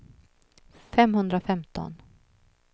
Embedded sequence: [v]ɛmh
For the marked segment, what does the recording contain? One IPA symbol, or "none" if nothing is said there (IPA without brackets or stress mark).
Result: f